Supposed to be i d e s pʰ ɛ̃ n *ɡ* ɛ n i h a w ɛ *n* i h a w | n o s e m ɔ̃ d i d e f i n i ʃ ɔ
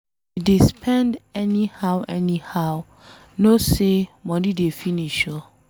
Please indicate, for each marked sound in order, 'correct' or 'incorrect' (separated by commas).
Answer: incorrect, correct